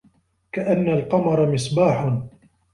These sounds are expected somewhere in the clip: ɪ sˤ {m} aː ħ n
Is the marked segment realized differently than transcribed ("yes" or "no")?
yes